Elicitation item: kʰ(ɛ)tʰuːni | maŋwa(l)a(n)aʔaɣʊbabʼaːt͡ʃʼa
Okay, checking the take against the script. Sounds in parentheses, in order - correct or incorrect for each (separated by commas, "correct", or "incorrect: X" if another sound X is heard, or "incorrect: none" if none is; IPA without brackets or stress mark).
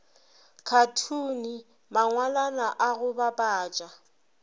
incorrect: a, correct, correct